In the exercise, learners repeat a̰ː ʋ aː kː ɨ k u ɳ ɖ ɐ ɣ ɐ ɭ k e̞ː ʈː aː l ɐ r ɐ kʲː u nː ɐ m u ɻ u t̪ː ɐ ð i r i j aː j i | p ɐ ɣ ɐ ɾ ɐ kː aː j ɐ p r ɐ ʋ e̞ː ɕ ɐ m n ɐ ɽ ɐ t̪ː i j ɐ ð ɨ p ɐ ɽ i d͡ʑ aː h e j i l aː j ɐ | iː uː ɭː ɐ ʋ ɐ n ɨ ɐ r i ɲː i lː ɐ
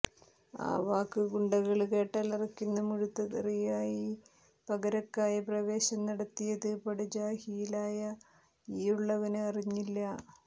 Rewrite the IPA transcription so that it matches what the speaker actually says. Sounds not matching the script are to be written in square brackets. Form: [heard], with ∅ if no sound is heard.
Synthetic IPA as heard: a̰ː ʋ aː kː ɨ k u ɳ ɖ ɐ ɣ ɐ ɭ k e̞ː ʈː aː l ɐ r ɐ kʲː u nː ɐ m u ɻ u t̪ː ɐ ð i r i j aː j i | p ɐ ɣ ɐ ɾ ɐ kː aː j ɐ p r ɐ ʋ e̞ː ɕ ɐ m n ɐ ɽ ɐ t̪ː i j ɐ ð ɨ p ɐ ɽ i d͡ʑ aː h [i] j i l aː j ɐ | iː [u] ɭː ɐ ʋ ɐ n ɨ ɐ r i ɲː i lː ɐ

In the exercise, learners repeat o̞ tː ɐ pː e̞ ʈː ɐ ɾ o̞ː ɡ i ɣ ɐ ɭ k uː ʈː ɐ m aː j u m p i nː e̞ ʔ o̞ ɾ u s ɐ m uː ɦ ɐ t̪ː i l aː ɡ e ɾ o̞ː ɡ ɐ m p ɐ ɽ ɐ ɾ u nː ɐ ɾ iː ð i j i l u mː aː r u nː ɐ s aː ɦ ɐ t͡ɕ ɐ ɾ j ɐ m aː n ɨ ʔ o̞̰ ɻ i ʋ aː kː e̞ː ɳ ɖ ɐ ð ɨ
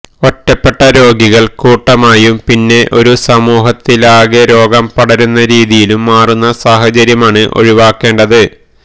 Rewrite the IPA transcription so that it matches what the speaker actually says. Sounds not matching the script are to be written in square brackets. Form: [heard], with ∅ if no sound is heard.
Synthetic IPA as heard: o̞ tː ɐ pː e̞ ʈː ɐ ɾ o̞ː ɡ i ɣ ɐ ɭ k uː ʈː ɐ m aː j u m p i nː e̞ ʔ o̞ ɾ u s ɐ m uː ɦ ɐ t̪ː i l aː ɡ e ɾ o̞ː ɡ ɐ m p ɐ ɽ ɐ ɾ u nː ɐ ɾ iː ð i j i l u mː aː r u nː ɐ s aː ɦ ɐ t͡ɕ ɐ ɾ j ɐ m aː [ɳ] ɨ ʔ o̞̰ ɻ i ʋ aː kː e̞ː ɳ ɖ ɐ ð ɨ

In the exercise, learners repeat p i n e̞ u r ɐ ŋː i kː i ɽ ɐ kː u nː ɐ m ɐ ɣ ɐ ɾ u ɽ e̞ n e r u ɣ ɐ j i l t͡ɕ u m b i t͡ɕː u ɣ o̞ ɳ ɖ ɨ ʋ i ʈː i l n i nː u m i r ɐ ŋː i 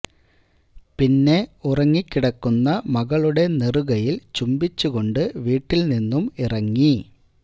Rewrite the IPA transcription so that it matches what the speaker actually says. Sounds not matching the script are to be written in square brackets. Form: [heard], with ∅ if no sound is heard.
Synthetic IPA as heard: p i [nː] e̞ u r ɐ ŋː i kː i ɽ ɐ kː u nː ɐ m ɐ ɣ ɐ [ɭ] u ɽ e̞ n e r u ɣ ɐ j i l t͡ɕ u m b i t͡ɕː u ɣ o̞ ɳ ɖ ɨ ʋ [iː] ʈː i l n i nː u m i r ɐ ŋː i

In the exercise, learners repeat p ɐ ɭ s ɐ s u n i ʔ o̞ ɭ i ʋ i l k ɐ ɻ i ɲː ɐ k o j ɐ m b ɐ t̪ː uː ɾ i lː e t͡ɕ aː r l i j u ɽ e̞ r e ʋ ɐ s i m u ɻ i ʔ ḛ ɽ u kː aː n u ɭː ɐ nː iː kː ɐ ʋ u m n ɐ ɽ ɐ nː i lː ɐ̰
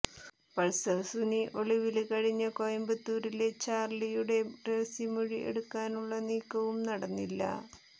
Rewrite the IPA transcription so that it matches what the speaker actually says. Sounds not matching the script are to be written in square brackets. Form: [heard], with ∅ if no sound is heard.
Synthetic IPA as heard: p ɐ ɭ s ɐ s u n i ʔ o̞ ɭ i ʋ i l k ɐ ɻ i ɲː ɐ k o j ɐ m b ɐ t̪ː uː ɾ i [l] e t͡ɕ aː r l i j u ɽ e̞ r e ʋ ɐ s i m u ɻ i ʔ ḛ ɽ u kː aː n u ɭː ɐ [n] iː kː ɐ ʋ u m n ɐ ɽ ɐ nː i lː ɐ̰

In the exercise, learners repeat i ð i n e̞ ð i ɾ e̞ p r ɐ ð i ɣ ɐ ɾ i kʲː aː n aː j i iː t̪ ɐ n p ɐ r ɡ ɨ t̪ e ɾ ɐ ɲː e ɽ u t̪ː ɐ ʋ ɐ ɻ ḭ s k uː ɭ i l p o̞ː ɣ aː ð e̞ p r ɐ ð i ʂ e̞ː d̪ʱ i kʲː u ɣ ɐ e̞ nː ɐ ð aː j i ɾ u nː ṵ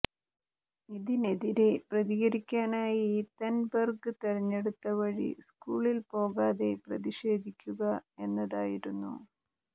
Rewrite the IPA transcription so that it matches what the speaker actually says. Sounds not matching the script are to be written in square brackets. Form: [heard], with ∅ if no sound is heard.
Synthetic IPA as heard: i ð i n e̞ ð i ɾ e̞ p r ɐ ð i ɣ ɐ ɾ i kʲː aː n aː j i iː t̪ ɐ n [b] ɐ r ɡ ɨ t̪ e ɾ ɐ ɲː e ɽ u t̪ː ɐ ʋ ɐ ɻ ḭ s k uː ɭ i l p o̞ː ɣ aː ð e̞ p r ɐ ð i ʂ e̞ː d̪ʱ i kʲː u ɣ ɐ e̞ nː ɐ ð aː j i ɾ u nː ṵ

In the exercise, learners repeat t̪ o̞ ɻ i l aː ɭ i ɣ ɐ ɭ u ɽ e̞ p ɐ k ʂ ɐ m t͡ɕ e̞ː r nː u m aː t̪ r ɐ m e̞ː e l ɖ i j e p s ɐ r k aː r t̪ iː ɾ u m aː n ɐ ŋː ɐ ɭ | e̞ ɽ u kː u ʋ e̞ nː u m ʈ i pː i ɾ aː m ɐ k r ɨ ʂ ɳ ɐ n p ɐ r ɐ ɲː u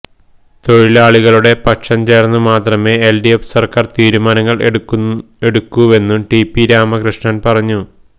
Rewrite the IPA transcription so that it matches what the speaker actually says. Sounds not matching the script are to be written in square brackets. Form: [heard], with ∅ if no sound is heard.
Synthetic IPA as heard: t̪ o̞ ɻ i l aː ɭ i ɣ ɐ ɭ u ɽ e̞ p ɐ k ʂ ɐ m t͡ɕ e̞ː r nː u m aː t̪ r ɐ m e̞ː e l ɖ i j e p s ɐ r k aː r t̪ iː ɾ u m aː n ɐ ŋː ɐ ɭ | e̞ ɽ u kː u ʋ e̞ nː u m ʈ i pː i ɾ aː m ɐ k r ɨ ʂ ɳ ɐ n p ɐ r ɐ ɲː u

